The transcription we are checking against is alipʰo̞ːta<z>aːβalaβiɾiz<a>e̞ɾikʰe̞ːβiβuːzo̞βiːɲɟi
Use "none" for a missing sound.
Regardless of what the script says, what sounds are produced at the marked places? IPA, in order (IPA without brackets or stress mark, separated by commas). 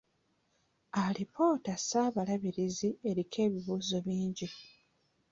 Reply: s, i